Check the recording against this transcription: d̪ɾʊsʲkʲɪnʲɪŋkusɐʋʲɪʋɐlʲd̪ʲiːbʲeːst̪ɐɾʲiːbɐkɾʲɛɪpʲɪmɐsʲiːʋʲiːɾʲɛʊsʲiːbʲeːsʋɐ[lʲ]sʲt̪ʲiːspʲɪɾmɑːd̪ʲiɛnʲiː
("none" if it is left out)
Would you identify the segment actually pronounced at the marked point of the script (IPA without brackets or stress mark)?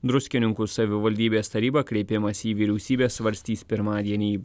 ɾʲ